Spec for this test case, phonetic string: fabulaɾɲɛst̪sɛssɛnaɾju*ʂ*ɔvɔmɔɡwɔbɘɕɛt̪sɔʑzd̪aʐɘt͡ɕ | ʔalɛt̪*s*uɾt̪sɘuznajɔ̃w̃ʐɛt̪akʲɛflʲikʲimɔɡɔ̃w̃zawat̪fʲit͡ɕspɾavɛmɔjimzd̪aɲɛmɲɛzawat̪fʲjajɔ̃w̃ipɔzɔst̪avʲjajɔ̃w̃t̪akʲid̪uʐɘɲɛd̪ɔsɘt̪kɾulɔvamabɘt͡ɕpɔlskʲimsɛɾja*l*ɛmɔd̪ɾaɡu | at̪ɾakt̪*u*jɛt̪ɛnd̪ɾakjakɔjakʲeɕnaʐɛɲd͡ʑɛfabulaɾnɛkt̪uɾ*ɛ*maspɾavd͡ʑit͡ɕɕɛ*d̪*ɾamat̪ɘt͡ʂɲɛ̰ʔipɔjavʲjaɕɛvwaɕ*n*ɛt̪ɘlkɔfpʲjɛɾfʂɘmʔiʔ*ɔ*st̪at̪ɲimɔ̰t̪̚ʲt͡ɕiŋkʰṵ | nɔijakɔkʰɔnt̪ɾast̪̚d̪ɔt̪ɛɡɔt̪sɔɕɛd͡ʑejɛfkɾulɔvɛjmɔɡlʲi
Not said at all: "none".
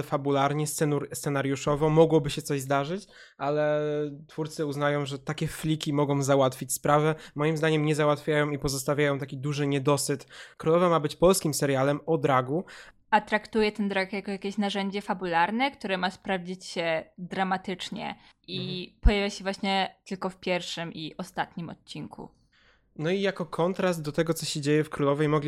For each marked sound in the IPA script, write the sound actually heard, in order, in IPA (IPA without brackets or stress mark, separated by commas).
ʂ, f, l, u, ɛ, d̪, ɲ, ɔ